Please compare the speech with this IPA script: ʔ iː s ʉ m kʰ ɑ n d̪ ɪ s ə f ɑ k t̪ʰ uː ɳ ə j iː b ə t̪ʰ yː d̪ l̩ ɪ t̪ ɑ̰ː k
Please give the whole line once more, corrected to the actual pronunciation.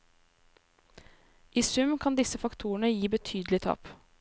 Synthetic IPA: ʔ iː s ʉ m kʰ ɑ n d̪ ɪ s ə f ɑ k t̪ʰ uː ɳ ə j iː b ə t̪ʰ yː d̪ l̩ ɪ t̪ʰ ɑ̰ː p